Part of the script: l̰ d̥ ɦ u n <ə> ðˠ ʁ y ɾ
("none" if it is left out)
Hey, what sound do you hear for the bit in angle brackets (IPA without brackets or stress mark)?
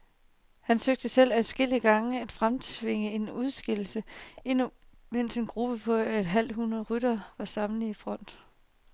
ɐ